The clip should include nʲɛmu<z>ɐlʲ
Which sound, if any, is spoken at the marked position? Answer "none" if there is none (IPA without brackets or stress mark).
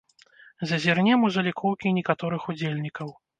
z